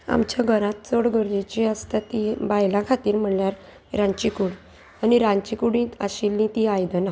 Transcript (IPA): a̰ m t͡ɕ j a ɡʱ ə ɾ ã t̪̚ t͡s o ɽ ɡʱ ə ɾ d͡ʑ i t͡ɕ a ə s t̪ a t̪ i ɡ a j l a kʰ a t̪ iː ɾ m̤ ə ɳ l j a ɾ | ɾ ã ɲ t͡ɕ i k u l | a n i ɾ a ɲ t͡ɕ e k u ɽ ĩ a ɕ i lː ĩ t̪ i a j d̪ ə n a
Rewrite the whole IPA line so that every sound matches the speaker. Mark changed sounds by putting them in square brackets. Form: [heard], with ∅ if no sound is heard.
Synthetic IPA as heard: a̰ m t͡ɕ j a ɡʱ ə ɾ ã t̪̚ t͡s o ɽ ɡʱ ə ɾ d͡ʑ i t͡ɕ [i] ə s t̪ a t̪ i [b] a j l a kʰ a t̪ iː ɾ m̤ ə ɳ l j a ɾ | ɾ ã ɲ t͡ɕ i k u [ɽ] | a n i ɾ a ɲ t͡ɕ [i] k u ɽ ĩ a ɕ i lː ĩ t̪ i a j d̪ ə n a